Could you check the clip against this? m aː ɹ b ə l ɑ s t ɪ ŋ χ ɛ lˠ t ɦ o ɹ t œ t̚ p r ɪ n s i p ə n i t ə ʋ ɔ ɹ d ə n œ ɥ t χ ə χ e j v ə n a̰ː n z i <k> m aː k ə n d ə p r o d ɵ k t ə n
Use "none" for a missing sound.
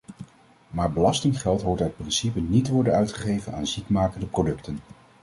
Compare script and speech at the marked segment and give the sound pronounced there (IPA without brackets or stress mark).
k